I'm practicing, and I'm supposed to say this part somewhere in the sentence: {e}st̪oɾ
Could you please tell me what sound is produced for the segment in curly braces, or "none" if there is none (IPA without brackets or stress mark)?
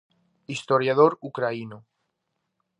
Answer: i